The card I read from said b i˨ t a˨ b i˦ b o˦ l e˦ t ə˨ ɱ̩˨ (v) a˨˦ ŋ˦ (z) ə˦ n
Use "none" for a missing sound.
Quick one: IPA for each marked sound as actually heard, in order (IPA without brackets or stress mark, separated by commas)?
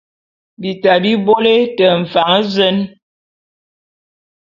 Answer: f, z